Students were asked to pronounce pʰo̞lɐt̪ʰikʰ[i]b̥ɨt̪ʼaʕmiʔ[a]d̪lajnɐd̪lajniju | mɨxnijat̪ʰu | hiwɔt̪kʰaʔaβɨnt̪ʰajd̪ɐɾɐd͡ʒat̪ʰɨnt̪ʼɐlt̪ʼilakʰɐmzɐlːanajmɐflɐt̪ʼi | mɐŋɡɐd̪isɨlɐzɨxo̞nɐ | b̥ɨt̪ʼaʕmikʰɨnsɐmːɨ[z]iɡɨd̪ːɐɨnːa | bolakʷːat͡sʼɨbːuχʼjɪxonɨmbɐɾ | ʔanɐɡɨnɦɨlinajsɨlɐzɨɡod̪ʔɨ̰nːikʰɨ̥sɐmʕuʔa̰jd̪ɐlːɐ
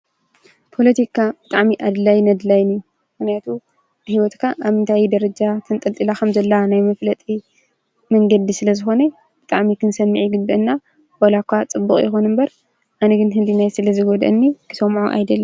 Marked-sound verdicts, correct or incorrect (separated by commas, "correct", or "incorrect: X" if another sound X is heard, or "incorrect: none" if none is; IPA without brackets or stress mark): incorrect: a, correct, incorrect: ʕ